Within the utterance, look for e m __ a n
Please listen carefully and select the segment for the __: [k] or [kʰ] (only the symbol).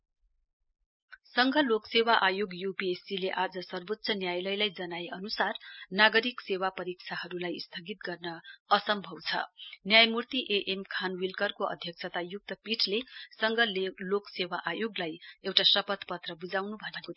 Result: kʰ